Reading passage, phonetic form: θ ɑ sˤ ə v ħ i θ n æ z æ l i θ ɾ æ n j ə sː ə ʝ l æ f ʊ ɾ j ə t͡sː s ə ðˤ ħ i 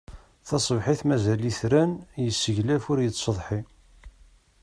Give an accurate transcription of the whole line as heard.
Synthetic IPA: θ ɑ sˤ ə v ħ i θ m æ z æ l i θ ɾ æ n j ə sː ə ʝ l æ f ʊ ɾ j ə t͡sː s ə ðˤ ħ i